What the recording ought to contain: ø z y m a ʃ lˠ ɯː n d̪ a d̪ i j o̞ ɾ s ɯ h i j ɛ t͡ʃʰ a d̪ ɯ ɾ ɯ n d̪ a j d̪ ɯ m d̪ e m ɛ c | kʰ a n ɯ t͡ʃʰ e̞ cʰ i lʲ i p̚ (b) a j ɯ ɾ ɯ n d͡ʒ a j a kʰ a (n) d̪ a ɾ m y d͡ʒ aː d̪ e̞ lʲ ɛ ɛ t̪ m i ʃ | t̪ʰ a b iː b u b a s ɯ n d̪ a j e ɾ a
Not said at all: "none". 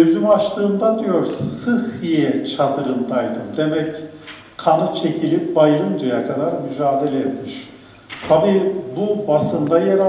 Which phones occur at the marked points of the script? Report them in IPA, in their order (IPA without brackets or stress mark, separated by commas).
b, none